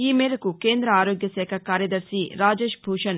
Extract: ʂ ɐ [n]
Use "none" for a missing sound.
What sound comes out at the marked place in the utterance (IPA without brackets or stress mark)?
n